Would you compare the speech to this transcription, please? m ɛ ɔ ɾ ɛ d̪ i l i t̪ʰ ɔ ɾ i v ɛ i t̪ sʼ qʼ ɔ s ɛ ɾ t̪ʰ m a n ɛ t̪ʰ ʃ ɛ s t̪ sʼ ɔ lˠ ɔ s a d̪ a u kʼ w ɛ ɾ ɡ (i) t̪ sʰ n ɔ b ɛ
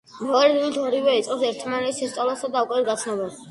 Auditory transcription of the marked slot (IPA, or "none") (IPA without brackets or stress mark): a